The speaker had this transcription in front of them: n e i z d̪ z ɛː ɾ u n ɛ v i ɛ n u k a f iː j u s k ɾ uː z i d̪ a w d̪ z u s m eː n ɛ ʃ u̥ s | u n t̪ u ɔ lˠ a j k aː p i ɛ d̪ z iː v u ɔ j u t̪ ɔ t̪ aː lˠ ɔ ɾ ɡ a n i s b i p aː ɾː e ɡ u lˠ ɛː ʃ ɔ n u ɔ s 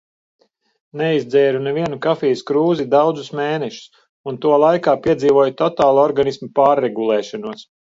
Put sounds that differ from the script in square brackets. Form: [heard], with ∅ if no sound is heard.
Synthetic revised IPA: n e i z d̪ z ɛː ɾ u n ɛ v i ɛ n u k a f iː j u s k ɾ uː z i d̪ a w d̪ z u s m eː n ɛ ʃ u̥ s | u n t̪ u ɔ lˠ a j k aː p i ɛ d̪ z iː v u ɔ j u t̪ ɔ t̪ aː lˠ ɔ ɾ ɡ a n i s [m] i p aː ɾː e ɡ u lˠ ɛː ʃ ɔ n u ɔ s